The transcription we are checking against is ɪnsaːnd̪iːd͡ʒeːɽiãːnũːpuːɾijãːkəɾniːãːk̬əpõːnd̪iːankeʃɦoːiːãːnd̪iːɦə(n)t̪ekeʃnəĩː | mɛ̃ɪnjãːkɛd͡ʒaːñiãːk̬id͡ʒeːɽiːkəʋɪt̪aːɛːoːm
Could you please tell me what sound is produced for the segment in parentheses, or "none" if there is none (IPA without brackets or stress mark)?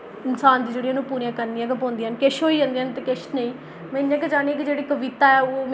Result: n